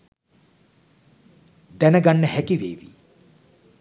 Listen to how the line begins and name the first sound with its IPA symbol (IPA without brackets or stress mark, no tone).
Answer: d̪